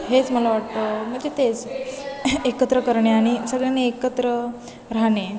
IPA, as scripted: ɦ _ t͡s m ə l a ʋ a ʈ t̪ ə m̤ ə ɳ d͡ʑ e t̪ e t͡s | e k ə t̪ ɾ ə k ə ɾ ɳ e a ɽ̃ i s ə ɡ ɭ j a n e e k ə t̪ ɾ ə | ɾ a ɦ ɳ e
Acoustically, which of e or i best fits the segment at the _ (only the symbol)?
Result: e